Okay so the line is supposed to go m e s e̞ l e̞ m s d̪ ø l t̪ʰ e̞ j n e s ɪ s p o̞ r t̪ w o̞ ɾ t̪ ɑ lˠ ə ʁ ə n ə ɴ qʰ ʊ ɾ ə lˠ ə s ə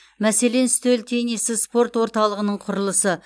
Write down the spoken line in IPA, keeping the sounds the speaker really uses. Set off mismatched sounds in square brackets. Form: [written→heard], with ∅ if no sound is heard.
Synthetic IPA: m [e→æ] s e̞ l e̞ [m→n] s [d̪→t̪] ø l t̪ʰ e̞ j n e s ɪ s p o̞ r t̪ w o̞ ɾ t̪ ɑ lˠ ə ʁ ə n ə ɴ qʰ ʊ ɾ ə lˠ ə s ə